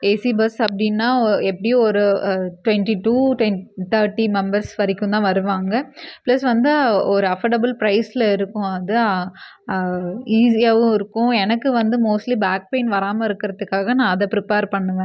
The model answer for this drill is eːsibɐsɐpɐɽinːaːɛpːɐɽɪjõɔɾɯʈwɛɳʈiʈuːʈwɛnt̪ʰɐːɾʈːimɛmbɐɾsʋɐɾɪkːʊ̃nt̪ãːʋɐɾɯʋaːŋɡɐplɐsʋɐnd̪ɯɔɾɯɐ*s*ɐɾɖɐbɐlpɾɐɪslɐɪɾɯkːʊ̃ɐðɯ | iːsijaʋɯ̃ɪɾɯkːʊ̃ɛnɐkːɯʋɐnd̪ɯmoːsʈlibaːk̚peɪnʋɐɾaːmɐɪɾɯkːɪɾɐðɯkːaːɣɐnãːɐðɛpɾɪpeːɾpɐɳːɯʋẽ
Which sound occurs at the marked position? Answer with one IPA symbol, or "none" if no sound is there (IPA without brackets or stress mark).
f